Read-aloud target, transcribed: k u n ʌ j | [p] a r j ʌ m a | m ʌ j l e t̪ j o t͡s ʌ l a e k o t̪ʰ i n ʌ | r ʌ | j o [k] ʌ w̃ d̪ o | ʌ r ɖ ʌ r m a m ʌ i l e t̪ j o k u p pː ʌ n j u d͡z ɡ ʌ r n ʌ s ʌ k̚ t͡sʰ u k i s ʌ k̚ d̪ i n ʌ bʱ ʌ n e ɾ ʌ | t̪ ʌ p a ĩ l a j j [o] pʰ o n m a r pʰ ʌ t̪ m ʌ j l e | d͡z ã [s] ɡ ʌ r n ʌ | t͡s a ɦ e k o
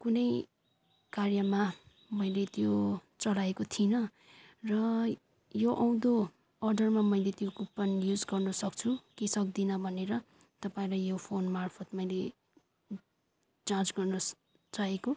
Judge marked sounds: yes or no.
no, no, yes, no

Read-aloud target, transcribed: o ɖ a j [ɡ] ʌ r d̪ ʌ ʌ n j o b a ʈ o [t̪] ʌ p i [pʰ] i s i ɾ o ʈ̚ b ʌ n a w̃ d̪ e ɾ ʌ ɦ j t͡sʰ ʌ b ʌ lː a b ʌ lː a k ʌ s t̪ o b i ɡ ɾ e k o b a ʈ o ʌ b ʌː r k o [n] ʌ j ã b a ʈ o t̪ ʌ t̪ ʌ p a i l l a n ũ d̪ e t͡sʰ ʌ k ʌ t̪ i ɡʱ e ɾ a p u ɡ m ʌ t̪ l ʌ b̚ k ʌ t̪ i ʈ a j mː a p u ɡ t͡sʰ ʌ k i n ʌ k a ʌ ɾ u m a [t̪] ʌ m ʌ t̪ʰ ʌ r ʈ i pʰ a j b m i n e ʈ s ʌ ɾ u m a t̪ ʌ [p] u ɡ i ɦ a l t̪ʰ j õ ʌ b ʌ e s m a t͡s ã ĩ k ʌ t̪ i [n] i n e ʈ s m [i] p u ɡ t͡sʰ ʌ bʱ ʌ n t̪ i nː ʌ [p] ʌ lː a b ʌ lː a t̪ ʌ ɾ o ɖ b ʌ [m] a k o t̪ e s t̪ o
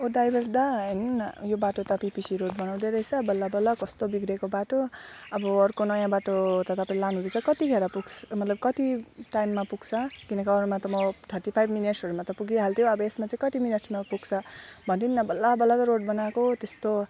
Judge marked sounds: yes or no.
no, yes, no, yes, yes, yes, no, no, no, no

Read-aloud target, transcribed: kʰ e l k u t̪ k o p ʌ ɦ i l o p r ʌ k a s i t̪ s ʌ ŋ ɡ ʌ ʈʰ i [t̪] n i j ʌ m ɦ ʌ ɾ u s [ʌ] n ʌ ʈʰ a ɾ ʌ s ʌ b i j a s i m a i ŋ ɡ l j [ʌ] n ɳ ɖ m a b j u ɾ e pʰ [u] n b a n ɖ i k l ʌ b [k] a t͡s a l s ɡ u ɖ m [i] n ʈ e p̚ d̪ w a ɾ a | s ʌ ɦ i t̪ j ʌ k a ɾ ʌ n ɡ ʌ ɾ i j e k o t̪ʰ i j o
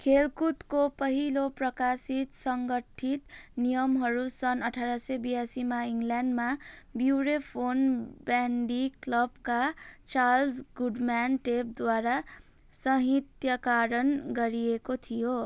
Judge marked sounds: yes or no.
yes, yes, no, no, yes, no

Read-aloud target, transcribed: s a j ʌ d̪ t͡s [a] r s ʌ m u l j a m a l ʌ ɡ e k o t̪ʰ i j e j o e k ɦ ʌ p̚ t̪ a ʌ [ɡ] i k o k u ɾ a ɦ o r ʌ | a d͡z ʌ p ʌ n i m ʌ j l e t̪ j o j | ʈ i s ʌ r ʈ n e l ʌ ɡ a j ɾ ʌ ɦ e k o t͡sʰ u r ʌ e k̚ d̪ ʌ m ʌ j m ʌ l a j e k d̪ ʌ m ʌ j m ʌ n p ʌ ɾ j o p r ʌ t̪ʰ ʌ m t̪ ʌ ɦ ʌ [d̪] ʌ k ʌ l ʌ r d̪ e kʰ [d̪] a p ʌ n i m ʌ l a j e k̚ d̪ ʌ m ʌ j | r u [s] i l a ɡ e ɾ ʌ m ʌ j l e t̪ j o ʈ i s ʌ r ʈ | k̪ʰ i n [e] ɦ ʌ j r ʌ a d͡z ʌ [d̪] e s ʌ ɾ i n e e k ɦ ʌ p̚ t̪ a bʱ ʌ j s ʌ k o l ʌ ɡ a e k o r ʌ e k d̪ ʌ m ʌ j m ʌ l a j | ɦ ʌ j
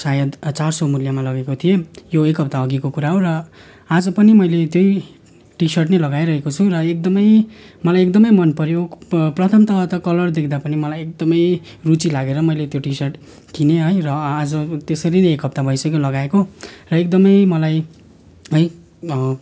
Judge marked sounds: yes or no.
yes, yes, no, yes, no, yes, no

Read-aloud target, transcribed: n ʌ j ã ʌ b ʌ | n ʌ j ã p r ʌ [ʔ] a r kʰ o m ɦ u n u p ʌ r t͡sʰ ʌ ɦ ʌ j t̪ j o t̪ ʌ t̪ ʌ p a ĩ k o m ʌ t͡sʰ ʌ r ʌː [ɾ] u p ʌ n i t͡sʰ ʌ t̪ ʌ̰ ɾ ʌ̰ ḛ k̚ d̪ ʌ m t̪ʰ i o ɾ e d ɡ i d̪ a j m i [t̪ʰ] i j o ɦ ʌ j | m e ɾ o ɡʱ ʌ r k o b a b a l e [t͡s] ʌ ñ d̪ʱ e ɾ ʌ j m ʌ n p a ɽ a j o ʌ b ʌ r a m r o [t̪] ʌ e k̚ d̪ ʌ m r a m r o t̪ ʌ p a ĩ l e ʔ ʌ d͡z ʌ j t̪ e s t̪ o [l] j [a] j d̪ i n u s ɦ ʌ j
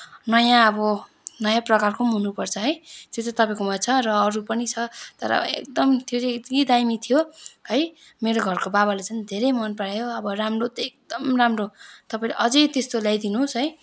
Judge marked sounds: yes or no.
no, yes, yes, yes, yes, yes, yes

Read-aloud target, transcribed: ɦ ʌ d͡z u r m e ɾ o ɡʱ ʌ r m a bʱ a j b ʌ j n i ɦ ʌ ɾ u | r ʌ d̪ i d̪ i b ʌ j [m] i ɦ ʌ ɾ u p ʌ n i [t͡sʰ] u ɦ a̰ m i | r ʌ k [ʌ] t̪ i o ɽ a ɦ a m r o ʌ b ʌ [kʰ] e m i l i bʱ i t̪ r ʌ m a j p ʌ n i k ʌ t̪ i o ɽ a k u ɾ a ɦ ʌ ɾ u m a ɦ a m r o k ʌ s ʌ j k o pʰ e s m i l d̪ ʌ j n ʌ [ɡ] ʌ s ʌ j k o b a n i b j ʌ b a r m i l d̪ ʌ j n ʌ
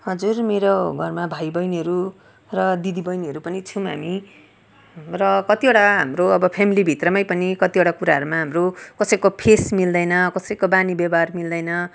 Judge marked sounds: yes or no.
no, yes, yes, no, no

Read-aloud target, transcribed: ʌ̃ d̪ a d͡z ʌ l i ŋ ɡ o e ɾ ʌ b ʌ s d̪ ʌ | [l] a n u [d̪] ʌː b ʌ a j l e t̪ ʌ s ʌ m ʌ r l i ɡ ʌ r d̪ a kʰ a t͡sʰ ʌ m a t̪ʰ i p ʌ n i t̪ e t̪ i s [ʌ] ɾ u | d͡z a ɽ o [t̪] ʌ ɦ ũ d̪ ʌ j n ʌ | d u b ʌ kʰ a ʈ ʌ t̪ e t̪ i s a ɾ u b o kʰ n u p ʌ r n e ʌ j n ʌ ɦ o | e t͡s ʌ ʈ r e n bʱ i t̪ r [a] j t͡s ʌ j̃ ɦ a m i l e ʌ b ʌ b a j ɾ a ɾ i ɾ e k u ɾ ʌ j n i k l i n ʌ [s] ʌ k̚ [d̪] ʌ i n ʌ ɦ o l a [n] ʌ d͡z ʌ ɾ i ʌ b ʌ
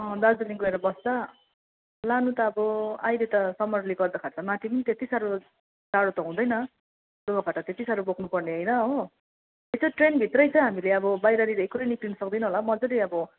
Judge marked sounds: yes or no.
yes, no, no, yes, no, yes, yes, no

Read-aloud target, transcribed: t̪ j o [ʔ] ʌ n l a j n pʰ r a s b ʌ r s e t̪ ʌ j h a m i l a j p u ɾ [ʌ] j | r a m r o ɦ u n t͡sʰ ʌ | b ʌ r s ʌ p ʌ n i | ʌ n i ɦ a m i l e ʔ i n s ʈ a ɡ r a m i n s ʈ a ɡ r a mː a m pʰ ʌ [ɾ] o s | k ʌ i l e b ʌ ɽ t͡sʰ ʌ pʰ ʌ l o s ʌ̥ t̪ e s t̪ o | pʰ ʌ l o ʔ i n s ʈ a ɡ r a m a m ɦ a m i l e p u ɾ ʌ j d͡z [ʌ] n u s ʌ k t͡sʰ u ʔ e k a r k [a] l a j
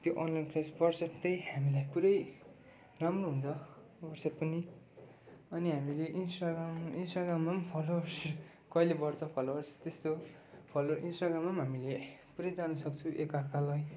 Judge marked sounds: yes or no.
yes, yes, no, no, yes

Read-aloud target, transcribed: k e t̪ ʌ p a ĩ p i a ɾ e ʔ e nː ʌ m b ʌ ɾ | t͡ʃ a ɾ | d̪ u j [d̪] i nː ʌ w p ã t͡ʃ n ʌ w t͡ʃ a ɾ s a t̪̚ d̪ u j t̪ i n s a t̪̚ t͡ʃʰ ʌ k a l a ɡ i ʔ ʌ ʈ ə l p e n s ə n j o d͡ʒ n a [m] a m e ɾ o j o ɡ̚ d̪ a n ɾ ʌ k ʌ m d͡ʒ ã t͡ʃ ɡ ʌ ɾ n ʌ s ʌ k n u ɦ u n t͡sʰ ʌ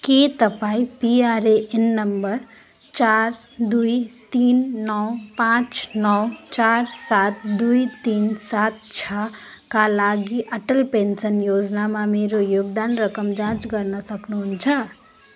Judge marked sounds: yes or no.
no, yes

